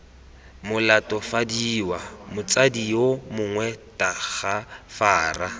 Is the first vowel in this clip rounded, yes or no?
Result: yes